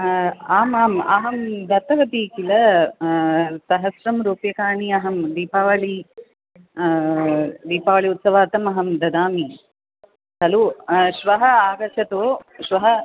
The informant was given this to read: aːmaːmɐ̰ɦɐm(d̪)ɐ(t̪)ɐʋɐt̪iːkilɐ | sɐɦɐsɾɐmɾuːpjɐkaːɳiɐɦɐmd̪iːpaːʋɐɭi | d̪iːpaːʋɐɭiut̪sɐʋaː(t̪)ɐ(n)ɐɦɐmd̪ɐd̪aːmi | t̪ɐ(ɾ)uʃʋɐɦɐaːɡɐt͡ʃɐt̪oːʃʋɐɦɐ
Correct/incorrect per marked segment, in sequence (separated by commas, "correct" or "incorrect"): correct, correct, correct, incorrect, incorrect